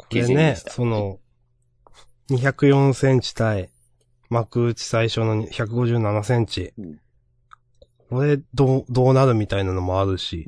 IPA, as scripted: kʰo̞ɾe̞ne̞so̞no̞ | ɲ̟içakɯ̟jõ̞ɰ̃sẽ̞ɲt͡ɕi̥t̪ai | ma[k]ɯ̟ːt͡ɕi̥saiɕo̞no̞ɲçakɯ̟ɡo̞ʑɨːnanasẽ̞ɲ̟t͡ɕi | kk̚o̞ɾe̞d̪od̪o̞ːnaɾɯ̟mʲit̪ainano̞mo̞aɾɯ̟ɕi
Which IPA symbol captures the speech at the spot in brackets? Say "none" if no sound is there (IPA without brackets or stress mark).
k